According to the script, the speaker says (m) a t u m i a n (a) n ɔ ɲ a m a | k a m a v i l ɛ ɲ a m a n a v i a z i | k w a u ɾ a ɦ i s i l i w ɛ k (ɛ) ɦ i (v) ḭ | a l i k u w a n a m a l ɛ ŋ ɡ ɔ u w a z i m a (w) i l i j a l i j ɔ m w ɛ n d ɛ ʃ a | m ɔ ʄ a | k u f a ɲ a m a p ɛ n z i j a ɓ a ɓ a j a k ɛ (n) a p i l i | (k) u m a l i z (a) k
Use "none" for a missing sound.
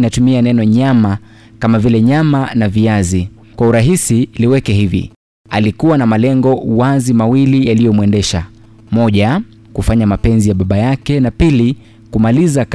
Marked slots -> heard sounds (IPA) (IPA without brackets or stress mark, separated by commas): n, ɛ, ɛ, v, w, n, k, a